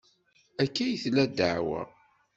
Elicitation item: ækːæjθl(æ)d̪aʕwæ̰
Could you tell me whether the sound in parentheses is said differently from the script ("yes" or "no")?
no